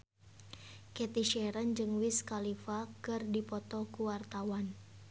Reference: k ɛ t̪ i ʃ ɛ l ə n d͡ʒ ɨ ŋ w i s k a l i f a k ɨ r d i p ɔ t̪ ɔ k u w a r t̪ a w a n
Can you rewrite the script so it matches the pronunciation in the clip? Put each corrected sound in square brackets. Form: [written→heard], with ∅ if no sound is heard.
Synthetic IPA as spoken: k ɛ t̪ i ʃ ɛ [l→ɾ] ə n d͡ʒ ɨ ŋ w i s k a l i f a k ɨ r d i p ɔ t̪ ɔ k u w a r t̪ a w a n